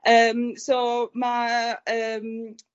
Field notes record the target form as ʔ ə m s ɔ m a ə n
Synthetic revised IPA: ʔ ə m s o m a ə m